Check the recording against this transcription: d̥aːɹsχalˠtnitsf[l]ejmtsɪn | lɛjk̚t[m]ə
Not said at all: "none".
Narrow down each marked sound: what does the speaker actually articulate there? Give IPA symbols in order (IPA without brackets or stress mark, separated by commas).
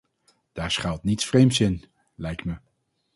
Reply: r, m